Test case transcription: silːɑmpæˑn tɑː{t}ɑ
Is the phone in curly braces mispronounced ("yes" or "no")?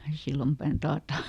no